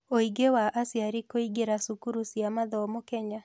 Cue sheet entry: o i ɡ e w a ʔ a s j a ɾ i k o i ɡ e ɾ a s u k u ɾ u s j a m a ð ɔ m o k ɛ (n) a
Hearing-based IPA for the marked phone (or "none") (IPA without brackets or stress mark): ɲ